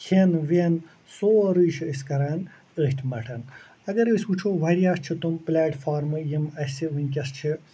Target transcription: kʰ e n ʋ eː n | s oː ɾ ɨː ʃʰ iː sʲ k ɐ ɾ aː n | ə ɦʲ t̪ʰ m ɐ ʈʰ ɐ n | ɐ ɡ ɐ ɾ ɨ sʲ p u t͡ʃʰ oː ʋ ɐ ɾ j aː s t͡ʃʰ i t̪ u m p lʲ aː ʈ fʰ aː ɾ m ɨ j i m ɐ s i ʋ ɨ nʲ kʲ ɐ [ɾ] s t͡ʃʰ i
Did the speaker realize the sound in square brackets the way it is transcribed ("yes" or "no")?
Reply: no